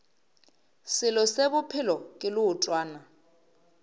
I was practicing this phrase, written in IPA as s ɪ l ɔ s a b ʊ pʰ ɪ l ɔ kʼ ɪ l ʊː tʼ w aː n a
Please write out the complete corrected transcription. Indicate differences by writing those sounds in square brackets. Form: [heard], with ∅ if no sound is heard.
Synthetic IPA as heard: s ɪ l ɔ s [e] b ʊ pʰ ɪ l ɔ kʼ ɪ l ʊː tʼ w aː n a